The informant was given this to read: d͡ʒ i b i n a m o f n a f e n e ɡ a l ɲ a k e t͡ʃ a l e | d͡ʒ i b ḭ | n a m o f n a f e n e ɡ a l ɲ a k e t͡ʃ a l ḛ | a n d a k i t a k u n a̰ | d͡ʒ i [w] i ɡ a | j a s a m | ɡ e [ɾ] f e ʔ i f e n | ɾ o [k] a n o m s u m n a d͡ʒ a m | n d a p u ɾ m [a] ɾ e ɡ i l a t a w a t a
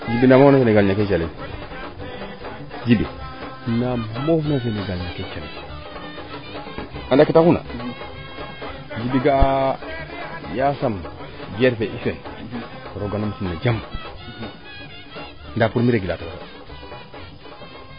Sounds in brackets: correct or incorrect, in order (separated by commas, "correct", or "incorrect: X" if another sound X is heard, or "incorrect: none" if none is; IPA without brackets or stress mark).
incorrect: b, correct, incorrect: ɡ, incorrect: i